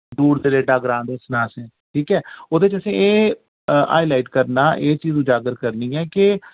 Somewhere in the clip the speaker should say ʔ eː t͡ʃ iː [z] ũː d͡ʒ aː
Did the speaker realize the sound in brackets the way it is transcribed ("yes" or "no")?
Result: yes